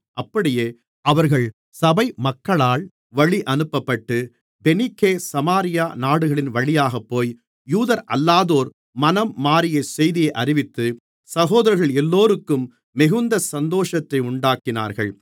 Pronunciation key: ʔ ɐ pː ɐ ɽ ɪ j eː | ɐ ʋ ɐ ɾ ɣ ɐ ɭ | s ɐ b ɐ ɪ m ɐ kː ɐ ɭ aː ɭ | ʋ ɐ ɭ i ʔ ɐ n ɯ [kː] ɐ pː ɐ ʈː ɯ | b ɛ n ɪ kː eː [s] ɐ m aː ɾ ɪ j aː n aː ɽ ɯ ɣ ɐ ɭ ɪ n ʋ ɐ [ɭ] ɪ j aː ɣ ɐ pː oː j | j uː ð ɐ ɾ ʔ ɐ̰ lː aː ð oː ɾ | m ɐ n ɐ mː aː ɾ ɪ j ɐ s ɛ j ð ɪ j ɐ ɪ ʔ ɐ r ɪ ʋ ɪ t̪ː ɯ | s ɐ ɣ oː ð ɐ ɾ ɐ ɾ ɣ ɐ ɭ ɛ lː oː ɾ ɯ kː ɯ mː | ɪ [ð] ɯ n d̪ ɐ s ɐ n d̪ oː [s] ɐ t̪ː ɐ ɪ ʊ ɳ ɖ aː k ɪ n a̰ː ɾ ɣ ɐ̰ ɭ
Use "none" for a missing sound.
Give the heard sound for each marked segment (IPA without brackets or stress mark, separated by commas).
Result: pː, s, ɭ, ɣ, ʂ